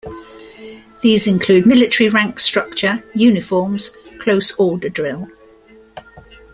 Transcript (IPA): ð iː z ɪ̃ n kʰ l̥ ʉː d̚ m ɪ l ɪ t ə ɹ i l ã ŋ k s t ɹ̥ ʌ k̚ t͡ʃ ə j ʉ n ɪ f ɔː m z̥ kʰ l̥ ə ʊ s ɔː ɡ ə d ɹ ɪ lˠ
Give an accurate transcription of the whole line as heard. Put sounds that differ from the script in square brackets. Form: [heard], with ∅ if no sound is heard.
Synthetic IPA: ð iː z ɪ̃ n kʰ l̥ ʉː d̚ m ɪ l ɪ t ə ɹ i [ɹ] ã ŋ k s t ɹ̥ ʌ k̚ t͡ʃ ə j [ʉː] n ɪ f ɔː m z̥ kʰ l̥ ə ʊ s ɔː [d] ə d ɹ ɪ lˠ